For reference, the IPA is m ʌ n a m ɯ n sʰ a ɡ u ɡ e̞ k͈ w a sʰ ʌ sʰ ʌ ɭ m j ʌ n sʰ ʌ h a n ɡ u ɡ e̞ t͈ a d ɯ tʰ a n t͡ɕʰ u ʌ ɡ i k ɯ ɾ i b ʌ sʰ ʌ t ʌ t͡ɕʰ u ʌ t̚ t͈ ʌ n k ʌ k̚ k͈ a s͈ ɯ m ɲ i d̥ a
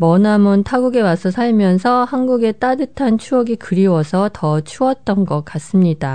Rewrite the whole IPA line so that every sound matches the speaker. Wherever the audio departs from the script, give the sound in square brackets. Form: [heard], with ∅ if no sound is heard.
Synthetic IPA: m ʌ n a m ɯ n [tʰ] a ɡ u ɡ e̞ [∅] w a sʰ ʌ sʰ [a] ɭ m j ʌ n sʰ ʌ h a n ɡ u ɡ e̞ t͈ a d ɯ tʰ a n t͡ɕʰ u ʌ ɡ i k ɯ ɾ i [w] ʌ sʰ ʌ t ʌ t͡ɕʰ u ʌ t̚ t͈ ʌ n [ɡ] ʌ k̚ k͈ a s͈ ɯ m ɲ i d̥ a